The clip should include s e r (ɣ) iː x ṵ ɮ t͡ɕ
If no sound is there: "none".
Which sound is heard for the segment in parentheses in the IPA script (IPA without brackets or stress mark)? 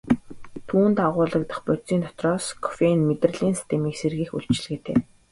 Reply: ɣ